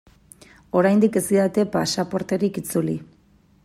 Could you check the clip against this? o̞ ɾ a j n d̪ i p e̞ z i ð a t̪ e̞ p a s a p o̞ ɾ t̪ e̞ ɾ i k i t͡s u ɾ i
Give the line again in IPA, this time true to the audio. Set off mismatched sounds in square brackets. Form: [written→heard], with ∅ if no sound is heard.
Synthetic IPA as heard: o̞ ɾ a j n d̪ i [p→k] e̞ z i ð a t̪ e̞ p a s a p o̞ ɾ t̪ e̞ ɾ i k i t͡s u [ɾ→l] i